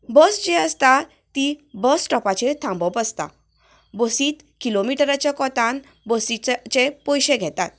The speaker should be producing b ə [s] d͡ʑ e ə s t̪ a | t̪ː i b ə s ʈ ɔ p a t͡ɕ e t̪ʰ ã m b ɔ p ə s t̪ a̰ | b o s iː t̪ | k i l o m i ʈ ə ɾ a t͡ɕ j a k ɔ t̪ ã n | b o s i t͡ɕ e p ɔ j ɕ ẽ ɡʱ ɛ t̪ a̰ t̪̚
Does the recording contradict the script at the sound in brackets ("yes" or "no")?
no